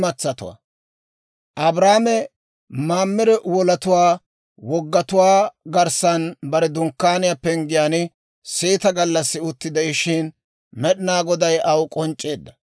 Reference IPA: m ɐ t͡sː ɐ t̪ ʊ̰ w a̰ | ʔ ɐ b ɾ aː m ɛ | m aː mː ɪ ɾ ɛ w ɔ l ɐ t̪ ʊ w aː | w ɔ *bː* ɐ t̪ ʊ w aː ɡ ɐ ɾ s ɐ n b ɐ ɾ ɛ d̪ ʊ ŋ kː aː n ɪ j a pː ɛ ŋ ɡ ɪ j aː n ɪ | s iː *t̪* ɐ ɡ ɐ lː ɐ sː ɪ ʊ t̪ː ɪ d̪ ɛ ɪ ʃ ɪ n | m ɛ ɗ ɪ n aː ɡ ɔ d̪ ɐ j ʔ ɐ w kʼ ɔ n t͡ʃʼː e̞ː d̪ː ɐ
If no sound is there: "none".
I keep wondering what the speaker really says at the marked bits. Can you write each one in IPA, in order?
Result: ɡː, t̪

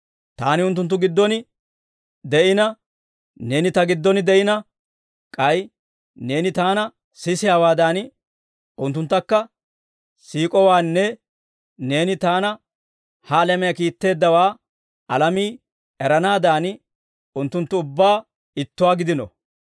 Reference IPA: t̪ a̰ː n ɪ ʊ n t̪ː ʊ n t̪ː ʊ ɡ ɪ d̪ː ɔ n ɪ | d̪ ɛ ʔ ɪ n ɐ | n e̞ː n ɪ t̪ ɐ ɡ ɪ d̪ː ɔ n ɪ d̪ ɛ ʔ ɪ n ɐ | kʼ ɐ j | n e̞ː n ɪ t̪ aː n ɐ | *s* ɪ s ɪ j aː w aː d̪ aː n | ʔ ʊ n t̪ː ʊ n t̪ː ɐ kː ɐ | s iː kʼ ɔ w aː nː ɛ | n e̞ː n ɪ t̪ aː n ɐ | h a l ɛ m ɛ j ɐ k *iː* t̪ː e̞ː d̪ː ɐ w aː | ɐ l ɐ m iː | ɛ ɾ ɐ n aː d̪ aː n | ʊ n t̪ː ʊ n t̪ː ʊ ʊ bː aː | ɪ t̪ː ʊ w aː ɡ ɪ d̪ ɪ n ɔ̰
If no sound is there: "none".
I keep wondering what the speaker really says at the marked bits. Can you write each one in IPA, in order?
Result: s, iː

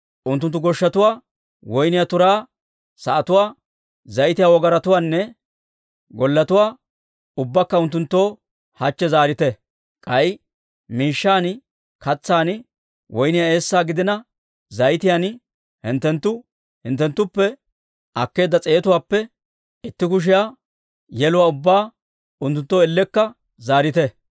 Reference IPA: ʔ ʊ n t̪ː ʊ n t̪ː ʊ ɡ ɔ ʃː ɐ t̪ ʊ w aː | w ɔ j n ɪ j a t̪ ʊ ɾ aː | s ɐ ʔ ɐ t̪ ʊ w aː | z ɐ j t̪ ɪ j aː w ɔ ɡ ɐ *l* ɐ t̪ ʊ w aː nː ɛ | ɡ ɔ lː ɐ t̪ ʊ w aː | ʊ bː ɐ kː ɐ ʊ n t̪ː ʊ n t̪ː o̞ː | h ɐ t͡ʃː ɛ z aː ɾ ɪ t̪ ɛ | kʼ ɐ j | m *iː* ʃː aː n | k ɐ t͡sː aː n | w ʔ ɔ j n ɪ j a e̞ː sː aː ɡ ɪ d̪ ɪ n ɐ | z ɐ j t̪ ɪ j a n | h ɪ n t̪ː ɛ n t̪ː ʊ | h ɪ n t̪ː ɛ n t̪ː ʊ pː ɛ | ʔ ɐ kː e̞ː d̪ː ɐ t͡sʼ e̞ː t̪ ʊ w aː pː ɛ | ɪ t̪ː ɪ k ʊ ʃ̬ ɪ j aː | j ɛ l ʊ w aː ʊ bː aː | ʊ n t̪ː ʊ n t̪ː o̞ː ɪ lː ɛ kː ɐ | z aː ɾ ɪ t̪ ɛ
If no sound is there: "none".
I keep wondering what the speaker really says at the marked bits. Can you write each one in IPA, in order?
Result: ɾ, iː

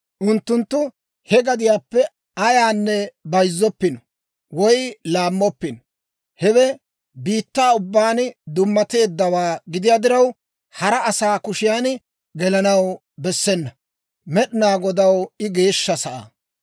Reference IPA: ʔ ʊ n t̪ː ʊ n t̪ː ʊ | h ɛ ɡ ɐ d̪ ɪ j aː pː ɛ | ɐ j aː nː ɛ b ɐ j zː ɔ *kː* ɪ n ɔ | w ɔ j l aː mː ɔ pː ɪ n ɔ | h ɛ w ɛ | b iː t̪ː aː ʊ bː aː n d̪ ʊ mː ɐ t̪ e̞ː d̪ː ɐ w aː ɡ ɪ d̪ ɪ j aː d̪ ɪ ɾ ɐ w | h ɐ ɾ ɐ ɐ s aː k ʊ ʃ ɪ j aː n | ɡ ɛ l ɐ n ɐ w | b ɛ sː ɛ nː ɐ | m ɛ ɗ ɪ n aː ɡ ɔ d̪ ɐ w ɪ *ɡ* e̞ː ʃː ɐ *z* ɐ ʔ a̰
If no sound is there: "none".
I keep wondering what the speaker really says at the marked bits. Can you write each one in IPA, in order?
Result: pː, ɡ, s

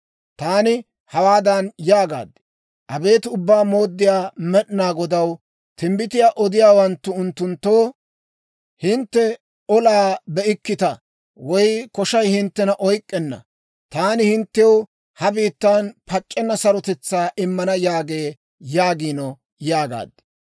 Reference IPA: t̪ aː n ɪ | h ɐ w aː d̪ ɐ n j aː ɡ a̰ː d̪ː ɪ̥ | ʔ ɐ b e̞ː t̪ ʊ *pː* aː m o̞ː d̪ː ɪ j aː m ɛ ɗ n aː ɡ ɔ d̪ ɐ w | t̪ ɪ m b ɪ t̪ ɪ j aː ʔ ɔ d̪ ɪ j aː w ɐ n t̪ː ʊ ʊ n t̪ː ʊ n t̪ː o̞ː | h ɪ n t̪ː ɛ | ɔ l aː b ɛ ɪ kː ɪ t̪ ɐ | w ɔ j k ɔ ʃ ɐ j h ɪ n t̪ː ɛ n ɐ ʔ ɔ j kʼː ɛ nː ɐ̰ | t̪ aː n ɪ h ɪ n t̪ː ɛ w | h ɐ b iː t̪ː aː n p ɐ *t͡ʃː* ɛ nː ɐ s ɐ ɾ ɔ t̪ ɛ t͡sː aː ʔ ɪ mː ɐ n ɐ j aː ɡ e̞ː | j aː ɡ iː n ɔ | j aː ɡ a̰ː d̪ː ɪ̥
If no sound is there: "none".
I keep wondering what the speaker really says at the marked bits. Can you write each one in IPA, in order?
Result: bː, t͡ʃʼː

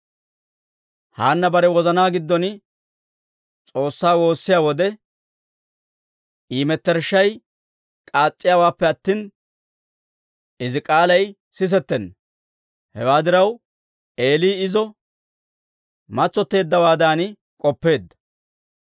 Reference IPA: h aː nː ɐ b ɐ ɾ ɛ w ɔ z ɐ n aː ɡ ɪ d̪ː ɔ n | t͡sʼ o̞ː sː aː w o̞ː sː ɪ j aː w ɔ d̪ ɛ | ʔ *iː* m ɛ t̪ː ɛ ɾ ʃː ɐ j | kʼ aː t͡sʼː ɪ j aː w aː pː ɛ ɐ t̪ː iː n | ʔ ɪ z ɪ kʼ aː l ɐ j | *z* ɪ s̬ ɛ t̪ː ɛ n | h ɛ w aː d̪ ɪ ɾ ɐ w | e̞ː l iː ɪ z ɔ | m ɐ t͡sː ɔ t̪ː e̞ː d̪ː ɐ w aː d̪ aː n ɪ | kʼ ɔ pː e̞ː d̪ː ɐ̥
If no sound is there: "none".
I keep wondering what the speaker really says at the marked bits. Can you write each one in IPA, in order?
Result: iː, s

